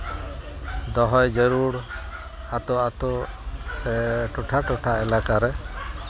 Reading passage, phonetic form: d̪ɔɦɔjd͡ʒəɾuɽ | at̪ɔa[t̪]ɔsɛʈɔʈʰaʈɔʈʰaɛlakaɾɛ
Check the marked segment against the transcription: correct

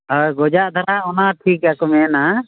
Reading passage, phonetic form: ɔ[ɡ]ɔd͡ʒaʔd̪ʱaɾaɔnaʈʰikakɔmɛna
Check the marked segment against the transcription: correct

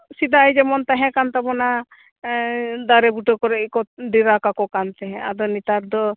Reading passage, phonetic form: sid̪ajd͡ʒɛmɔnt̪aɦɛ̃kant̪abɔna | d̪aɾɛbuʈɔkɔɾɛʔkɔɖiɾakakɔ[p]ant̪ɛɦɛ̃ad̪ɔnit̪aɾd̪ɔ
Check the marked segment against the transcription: incorrect: k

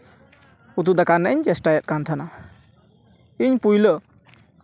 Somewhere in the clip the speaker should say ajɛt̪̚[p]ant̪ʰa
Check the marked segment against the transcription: incorrect: k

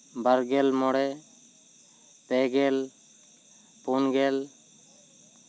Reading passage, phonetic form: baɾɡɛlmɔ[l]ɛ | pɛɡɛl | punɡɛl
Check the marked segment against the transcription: incorrect: ɽ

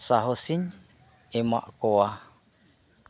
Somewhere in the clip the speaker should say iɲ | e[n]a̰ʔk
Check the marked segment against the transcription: incorrect: m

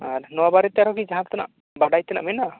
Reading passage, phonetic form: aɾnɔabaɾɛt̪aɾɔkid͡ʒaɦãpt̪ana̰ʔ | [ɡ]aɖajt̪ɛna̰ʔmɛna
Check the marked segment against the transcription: incorrect: b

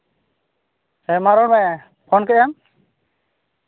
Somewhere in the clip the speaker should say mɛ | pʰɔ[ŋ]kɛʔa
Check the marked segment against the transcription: incorrect: n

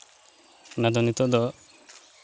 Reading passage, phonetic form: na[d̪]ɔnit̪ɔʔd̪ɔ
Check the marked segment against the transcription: correct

